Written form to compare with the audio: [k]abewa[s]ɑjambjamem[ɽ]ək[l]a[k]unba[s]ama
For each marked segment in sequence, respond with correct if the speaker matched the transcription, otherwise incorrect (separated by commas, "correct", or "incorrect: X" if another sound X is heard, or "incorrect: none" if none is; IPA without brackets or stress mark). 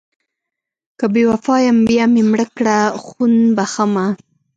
correct, incorrect: f, correct, incorrect: ɽ, incorrect: x, incorrect: x